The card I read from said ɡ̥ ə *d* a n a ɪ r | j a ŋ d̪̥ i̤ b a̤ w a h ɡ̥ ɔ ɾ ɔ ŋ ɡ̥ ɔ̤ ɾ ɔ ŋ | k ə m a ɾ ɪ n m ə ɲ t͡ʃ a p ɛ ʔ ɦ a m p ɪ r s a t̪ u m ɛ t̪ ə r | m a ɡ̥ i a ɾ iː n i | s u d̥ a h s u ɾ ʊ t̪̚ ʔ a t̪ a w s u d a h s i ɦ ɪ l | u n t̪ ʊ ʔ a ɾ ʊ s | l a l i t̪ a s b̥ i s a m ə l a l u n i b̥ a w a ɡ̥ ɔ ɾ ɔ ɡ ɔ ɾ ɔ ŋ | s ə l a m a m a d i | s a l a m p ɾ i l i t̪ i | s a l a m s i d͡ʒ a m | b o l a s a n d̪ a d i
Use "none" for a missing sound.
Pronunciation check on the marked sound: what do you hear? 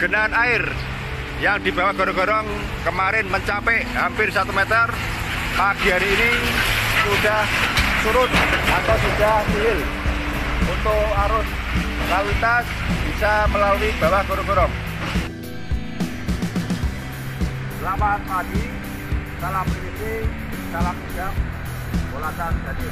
n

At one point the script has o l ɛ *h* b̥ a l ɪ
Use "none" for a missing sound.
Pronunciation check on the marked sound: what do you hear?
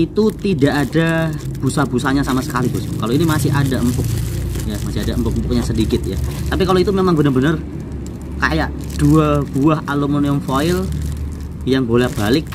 h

